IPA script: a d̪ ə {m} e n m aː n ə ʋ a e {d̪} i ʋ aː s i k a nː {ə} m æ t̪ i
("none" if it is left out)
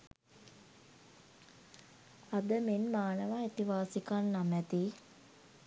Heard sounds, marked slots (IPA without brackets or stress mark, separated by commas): m, t̪, a